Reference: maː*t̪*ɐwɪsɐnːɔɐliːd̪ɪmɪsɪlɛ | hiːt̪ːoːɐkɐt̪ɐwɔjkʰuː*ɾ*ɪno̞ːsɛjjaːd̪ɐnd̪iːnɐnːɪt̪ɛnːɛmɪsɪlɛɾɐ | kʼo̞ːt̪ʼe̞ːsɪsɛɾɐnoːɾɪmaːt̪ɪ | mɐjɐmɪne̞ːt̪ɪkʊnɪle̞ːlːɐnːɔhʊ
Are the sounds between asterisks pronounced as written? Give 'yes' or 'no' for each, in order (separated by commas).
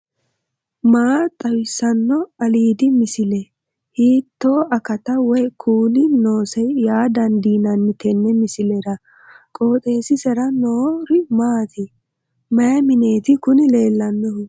no, no